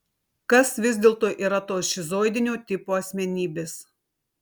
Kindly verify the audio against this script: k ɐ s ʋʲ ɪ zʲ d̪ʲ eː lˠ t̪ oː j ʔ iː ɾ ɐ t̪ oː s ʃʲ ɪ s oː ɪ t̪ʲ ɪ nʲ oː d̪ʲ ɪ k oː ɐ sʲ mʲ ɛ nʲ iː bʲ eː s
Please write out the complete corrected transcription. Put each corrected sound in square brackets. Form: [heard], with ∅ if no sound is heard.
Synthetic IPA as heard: k ɐ s ʋʲ ɪ zʲ d̪ʲ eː lˠ t̪ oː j ʔ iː ɾ ɐ t̪ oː s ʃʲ ɪ [z] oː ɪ [d̪ʲ] ɪ nʲ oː [t̪ʲ] ɪ [p] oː ɐ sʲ mʲ ɛ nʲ iː bʲ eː s